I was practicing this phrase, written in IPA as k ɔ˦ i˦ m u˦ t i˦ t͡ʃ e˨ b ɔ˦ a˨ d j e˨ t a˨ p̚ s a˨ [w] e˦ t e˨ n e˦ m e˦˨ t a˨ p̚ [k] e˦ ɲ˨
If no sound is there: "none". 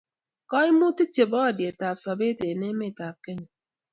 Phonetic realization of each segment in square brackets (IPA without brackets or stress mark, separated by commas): b, k